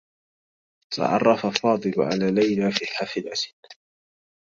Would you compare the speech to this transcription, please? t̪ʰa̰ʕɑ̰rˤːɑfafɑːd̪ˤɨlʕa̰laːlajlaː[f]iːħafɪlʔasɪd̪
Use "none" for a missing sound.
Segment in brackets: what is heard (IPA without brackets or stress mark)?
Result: f